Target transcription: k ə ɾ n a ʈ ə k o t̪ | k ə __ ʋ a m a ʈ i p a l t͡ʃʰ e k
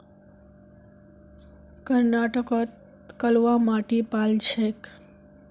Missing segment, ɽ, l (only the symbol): l